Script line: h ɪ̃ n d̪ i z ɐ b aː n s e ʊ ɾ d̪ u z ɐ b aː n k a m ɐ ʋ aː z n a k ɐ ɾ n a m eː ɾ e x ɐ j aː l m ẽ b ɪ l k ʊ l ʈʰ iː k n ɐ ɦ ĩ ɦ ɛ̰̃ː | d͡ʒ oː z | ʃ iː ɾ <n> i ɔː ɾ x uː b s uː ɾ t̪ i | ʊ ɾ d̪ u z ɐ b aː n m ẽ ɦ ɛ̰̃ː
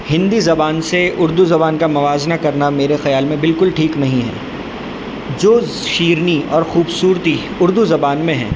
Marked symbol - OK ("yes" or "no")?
yes